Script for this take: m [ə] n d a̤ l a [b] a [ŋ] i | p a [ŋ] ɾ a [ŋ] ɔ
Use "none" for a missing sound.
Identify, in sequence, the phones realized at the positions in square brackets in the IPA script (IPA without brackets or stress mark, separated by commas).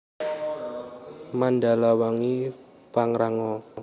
a, w, ŋ, ŋ, ŋ